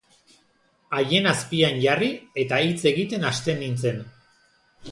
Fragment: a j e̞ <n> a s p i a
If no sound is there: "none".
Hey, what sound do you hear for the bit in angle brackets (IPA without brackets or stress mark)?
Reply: n